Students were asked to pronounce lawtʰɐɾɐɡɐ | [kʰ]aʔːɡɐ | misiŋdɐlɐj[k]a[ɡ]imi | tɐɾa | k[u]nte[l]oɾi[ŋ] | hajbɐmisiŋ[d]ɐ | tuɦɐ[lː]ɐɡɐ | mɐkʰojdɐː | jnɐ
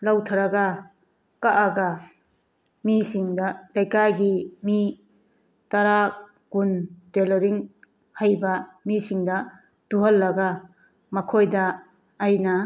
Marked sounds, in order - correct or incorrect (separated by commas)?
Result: incorrect, correct, correct, correct, correct, correct, correct, correct